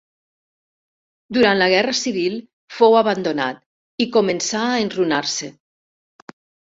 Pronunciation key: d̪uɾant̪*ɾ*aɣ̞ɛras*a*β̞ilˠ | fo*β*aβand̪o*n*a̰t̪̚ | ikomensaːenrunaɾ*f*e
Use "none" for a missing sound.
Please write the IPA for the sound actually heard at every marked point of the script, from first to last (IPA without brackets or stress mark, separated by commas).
l, i, w, n, s